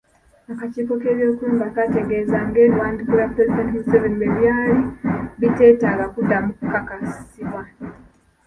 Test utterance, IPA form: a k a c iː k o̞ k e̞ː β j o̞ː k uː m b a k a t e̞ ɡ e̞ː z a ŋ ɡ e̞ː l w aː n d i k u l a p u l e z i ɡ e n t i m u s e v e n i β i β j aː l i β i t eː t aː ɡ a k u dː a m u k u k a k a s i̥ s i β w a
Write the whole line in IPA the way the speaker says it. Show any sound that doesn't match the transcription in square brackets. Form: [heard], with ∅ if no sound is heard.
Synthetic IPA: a k a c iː k o̞ k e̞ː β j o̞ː k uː m b a k a t e̞ ɡ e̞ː z a ŋ ɡ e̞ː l w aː n d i k u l a p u [ɾ] e z i [d] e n t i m u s e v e n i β [e] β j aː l i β i t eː t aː ɡ a k u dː a m u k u k a k a s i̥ s i β w a